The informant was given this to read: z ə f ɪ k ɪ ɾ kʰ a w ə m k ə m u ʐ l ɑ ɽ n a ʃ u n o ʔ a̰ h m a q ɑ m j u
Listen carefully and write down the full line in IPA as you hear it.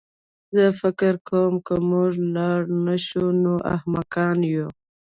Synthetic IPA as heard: z ə f ɪ k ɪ ɾ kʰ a w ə m k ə m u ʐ l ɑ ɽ n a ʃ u n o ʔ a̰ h m a k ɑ n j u